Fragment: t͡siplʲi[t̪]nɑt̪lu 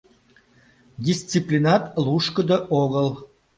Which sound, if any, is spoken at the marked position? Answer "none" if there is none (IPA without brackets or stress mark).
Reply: none